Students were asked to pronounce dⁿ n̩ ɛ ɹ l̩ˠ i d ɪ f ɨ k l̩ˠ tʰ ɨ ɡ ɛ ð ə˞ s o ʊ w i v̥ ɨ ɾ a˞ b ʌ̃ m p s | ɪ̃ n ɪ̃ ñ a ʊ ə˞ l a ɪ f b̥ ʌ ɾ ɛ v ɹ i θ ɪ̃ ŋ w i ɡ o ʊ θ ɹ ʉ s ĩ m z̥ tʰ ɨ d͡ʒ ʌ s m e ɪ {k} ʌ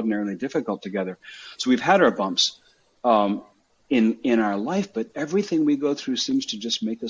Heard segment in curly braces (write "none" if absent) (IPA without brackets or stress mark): k